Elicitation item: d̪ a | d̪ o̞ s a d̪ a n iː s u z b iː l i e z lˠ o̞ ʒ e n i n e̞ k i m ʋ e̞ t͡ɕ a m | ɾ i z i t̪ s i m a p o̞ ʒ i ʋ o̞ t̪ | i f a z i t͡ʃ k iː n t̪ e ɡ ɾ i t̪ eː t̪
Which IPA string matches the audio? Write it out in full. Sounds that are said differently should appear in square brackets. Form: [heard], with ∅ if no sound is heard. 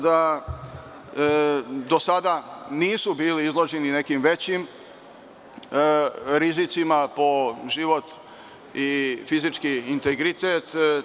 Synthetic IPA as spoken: d̪ a | d̪ o̞ s a d̪ a n iː s u [∅] b iː l i [i] z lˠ o̞ ʒ e n i n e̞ k i m ʋ e̞ t͡ɕ [i] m | ɾ i z i t̪ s i m a p o̞ ʒ i ʋ o̞ t̪ | i f [i] z i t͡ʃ k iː n t̪ e ɡ ɾ i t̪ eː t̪

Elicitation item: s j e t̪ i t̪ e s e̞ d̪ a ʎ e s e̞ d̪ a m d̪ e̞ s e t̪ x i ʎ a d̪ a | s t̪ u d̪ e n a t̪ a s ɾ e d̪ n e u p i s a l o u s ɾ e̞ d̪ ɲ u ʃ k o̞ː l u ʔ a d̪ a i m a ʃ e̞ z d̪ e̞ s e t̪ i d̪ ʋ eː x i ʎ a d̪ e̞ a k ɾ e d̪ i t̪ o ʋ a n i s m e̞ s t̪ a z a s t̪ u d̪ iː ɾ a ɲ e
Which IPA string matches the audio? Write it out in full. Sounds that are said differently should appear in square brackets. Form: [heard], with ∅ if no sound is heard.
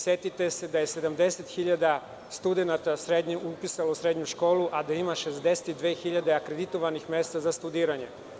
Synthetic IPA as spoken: s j e t̪ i t̪ e s e̞ d̪ a [j] e s e̞ d̪ a m d̪ e̞ s e t̪ x i ʎ a d̪ a | s t̪ u d̪ e n a t̪ a s ɾ e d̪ [ɲ] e u p i s a l o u s ɾ e̞ d̪ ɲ u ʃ k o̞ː l u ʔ a d̪ a i m a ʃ e̞ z d̪ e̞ s e t̪ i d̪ ʋ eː x i ʎ a d̪ e̞ a k ɾ e d̪ i t̪ o ʋ a n i [x] m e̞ s t̪ a z a s t̪ u d̪ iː ɾ a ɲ e

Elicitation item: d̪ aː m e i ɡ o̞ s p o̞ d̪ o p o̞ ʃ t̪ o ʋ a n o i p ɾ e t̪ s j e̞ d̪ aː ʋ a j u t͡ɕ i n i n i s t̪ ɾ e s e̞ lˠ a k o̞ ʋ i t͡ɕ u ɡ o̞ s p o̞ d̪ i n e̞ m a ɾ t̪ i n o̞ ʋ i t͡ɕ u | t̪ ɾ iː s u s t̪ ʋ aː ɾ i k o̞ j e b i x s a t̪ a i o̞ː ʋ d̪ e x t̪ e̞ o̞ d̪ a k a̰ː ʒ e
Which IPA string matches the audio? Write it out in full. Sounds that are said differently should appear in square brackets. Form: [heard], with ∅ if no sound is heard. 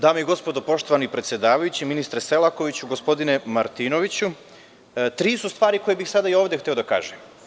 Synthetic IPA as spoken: d̪ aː m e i ɡ o̞ s p o̞ d̪ o p o̞ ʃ t̪ o ʋ a n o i p ɾ e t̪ s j e̞ d̪ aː ʋ a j u t͡ɕ i [m] i n i s t̪ ɾ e s e̞ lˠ a k o̞ ʋ i t͡ɕ u ɡ o̞ s p o̞ d̪ i n e̞ m a ɾ t̪ i n o̞ ʋ i t͡ɕ u | t̪ ɾ iː s u s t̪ ʋ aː ɾ i k o̞ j e b i x s a [d̪] a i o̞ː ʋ d̪ e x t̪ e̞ o̞ d̪ a k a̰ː ʒ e

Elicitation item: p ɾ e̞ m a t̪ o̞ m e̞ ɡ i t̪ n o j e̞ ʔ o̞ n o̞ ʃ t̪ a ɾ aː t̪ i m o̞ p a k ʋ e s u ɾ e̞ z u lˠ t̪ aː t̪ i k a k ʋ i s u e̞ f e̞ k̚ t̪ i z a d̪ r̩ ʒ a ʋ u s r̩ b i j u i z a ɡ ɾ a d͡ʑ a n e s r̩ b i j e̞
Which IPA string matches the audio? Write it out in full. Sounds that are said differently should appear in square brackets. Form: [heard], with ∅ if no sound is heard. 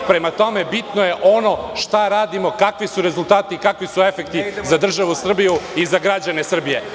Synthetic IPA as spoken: p ɾ e̞ m a t̪ o̞ m e̞ [b] i t̪ n o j e̞ ʔ o̞ n o̞ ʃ t̪ a ɾ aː [d̪] i m o̞ [k] a k ʋ [i] s u ɾ e̞ z u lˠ t̪ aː t̪ i k a k ʋ i s u e̞ f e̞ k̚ t̪ i z a d̪ r̩ ʒ a ʋ u s r̩ b i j u i z a ɡ ɾ a d͡ʑ a n e s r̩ b i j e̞

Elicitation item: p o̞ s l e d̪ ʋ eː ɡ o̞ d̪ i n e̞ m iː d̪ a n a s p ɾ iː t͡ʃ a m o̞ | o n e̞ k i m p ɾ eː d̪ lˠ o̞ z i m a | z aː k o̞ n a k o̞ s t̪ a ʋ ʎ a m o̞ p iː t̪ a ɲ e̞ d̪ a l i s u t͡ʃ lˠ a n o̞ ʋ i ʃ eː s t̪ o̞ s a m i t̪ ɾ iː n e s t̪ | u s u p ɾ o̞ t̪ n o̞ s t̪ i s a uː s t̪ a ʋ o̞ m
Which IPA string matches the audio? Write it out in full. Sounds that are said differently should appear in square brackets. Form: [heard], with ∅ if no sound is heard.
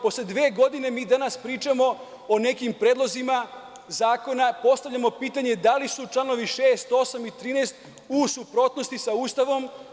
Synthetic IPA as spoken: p o̞ s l e d̪ ʋ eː ɡ o̞ d̪ i n e̞ m iː d̪ a n a s p ɾ iː t͡ʃ a m o̞ | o n e̞ k i m p ɾ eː d̪ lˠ o̞ z i m a | z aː k o̞ n a [p] o̞ s t̪ a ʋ ʎ a m o̞ p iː t̪ a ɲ e̞ d̪ a l i s u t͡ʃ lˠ a n o̞ ʋ i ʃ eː s t̪ o̞ s a m i t̪ ɾ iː n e s t̪ | u s u p ɾ o̞ t̪ n o̞ s t̪ i s a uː s t̪ a ʋ o̞ m

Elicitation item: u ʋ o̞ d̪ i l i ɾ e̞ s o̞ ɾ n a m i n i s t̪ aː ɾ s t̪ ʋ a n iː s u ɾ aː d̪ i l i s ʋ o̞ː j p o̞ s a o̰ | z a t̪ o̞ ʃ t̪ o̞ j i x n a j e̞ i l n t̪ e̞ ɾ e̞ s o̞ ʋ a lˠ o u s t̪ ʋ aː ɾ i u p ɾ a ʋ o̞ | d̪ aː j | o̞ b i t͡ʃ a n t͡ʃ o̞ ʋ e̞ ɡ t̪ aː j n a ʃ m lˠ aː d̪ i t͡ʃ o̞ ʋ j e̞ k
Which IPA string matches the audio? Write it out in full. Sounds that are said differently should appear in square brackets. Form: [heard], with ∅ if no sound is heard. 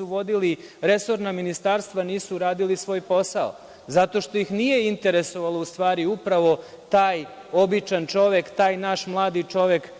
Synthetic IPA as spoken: u ʋ o̞ d̪ i l i ɾ e̞ s o̞ ɾ n a m i n i s t̪ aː ɾ s t̪ ʋ a n iː s u ɾ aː d̪ i l i s ʋ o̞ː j p o̞ s a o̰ | z a t̪ o̞ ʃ t̪ o̞ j i x n [i] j e̞ i [∅] n t̪ e̞ ɾ e̞ s o̞ ʋ a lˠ o u s t̪ ʋ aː ɾ i u p ɾ a ʋ o̞ | [t̪] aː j | o̞ b i t͡ʃ a n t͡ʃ o̞ ʋ e̞ [k] t̪ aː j n a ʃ m lˠ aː d̪ i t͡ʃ o̞ ʋ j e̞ k

